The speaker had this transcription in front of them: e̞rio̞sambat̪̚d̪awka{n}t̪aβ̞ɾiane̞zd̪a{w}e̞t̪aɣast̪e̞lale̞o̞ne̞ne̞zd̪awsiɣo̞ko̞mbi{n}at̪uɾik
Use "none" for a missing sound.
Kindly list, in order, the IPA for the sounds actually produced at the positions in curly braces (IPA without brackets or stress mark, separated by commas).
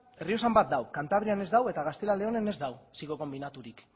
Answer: n, w, n